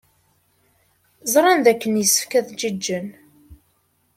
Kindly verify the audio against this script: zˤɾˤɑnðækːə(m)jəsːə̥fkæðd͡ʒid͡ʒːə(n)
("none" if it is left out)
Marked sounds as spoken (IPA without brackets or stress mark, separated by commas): n, n